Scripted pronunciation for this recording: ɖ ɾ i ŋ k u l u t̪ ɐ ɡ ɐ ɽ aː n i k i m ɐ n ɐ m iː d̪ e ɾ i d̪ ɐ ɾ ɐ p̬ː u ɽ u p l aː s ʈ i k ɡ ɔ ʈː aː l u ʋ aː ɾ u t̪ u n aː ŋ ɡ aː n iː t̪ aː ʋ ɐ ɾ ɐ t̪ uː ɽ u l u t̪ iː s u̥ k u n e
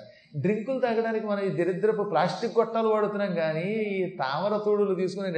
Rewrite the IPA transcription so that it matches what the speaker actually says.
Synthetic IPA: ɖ ɾ i ŋ k u l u t̪ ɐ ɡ ɐ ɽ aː n i k i m ɐ n ɐ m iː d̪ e ɾ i d̪ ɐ ɾ ɐ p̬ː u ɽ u p l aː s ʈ i k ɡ ɔ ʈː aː l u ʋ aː ɽ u t̪ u n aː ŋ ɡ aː n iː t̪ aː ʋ ɐ ɾ ɐ t̪ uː ɽ u l u t̪ iː s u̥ k u n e